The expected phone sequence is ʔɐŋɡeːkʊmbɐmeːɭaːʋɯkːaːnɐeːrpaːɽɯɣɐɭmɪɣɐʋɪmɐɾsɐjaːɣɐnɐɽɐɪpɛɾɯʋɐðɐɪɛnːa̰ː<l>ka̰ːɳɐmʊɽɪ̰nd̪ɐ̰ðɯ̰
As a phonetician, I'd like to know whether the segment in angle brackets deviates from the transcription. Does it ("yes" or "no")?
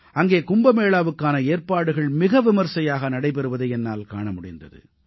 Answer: no